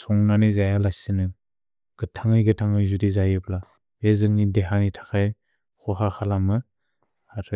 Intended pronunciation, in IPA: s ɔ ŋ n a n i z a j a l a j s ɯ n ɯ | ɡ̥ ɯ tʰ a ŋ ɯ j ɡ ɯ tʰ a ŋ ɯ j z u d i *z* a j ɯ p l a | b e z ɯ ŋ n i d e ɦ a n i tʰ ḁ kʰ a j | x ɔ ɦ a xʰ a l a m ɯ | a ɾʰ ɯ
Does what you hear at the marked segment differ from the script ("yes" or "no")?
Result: no